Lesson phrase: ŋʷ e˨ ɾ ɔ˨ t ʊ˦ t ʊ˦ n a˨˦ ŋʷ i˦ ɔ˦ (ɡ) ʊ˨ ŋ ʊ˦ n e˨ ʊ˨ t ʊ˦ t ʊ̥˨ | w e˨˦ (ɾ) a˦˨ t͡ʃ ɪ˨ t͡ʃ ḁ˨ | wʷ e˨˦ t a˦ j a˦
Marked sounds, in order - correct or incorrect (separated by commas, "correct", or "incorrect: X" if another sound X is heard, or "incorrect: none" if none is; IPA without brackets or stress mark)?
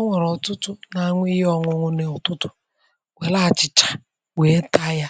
incorrect: ŋ, incorrect: l